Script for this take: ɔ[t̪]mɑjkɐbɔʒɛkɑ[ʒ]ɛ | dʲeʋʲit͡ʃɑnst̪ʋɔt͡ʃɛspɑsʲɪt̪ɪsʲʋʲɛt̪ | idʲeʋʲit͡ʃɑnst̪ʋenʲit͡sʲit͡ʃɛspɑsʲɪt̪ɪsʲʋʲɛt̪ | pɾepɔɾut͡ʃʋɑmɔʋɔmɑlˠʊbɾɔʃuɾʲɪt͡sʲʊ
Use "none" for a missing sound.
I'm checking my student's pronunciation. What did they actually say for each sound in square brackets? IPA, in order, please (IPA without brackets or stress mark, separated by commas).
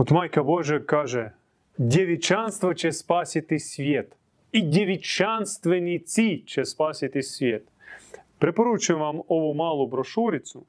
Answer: t̪, ʒ